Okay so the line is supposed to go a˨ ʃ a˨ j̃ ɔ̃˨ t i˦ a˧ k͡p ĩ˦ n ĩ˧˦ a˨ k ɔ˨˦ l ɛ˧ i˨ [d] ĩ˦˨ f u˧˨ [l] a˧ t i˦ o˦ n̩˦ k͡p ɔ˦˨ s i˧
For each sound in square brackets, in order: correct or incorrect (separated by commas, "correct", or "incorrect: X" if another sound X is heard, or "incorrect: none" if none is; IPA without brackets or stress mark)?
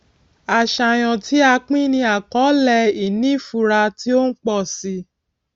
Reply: incorrect: n, incorrect: ɾ